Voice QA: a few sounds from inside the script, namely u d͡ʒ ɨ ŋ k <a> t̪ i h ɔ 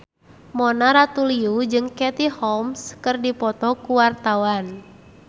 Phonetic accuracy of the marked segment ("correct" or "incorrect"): incorrect